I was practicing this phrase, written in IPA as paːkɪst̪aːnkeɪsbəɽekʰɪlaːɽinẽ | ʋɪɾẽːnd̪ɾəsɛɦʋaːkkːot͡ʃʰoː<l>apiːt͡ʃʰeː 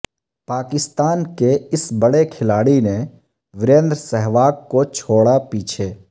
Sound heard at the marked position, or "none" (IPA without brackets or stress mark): ɽ